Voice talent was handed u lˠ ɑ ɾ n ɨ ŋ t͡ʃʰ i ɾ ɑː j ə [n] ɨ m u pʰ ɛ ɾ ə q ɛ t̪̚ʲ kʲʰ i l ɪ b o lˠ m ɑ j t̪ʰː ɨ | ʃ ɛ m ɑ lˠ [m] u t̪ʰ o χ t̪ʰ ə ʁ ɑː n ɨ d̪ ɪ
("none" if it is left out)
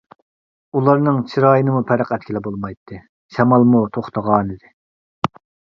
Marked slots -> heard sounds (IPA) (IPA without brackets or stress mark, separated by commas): n, m